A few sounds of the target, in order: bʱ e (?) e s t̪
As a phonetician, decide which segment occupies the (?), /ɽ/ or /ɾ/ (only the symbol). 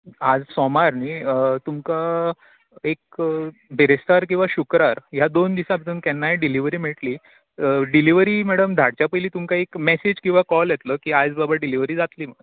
ɾ